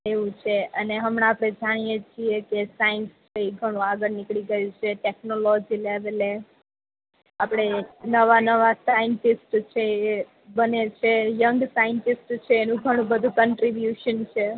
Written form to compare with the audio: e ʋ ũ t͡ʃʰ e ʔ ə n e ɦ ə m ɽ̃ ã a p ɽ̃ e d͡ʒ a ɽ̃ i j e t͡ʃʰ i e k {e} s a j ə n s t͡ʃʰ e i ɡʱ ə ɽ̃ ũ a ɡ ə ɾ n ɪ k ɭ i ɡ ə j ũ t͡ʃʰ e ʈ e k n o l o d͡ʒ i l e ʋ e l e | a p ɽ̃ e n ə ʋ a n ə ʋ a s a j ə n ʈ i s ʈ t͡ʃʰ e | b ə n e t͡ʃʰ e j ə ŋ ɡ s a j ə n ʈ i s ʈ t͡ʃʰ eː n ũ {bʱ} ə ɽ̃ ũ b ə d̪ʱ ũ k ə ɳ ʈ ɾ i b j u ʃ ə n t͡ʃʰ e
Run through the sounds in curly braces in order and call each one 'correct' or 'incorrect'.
correct, incorrect: ɡʱ

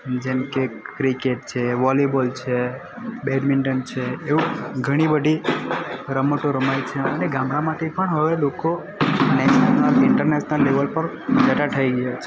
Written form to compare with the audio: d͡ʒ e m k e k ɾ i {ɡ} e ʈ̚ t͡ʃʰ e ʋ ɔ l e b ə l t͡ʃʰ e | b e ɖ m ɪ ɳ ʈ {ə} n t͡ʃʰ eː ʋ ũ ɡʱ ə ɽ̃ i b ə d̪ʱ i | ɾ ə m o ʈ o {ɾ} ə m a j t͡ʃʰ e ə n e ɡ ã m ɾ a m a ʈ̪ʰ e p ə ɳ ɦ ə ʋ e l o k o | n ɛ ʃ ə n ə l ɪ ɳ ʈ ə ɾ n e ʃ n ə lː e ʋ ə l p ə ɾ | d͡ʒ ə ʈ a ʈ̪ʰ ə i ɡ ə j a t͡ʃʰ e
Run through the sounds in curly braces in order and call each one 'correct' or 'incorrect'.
incorrect: k, correct, correct

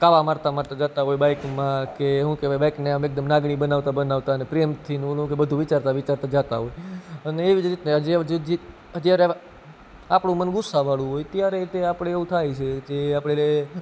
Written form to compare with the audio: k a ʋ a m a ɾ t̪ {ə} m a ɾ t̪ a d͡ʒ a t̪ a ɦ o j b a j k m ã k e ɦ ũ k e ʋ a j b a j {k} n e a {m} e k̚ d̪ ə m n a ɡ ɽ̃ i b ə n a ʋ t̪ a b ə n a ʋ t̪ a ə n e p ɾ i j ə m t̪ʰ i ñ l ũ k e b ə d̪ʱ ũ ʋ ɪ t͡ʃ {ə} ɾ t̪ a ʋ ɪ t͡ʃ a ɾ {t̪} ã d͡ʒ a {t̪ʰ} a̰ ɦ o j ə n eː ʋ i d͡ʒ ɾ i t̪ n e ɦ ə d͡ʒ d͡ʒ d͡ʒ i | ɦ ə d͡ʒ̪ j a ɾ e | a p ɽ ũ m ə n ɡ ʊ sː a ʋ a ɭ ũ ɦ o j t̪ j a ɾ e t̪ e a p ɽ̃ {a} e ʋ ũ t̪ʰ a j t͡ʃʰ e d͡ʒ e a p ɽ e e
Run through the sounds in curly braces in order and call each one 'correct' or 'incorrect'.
incorrect: a, correct, correct, incorrect: a, correct, incorrect: t̪, incorrect: e

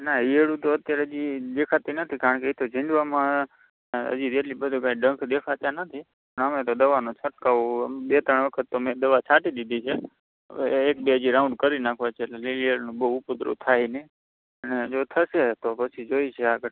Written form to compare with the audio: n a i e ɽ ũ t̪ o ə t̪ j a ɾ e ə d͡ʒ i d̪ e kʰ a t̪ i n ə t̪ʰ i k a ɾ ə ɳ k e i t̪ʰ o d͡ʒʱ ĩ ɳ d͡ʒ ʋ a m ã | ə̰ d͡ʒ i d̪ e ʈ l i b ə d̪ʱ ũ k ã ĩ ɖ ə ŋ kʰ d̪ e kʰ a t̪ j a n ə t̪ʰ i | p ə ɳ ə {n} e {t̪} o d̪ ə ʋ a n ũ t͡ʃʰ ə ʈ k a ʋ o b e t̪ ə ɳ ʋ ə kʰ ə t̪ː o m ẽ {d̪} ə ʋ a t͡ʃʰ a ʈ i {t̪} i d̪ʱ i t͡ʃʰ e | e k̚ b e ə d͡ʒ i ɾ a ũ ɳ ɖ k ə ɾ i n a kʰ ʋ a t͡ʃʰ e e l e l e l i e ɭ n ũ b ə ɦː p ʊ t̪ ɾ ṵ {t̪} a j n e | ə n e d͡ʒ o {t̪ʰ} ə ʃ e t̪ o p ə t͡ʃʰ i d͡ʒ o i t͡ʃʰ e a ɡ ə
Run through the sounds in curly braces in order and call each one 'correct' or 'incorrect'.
incorrect: m, correct, correct, incorrect: d̪, incorrect: t̪ʰ, correct

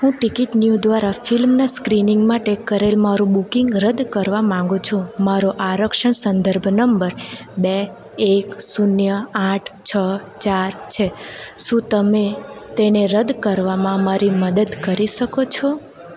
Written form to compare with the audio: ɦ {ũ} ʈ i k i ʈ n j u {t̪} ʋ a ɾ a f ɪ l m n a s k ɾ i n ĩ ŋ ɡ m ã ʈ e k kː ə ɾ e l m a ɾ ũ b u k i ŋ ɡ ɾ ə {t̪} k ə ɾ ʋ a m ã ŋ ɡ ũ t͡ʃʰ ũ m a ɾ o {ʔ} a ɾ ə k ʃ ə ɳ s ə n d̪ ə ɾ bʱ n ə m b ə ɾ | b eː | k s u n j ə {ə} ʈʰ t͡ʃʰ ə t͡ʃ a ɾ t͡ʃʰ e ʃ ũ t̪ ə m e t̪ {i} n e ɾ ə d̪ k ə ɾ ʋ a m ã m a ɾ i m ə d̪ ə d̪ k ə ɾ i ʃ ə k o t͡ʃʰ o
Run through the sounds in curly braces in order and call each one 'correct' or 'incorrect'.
correct, incorrect: d̪, incorrect: d̪, correct, incorrect: a, incorrect: e

